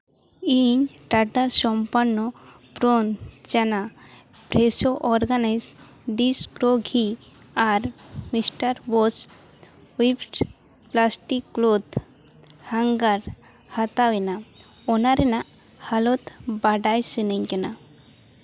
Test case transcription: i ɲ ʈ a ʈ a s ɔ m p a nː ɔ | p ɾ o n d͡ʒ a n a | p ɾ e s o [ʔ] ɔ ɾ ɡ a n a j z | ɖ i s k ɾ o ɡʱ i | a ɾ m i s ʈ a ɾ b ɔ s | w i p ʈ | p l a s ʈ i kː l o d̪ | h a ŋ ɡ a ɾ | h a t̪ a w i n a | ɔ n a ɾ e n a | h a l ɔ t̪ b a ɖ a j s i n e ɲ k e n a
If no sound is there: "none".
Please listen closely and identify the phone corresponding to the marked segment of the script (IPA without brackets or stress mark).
ʔ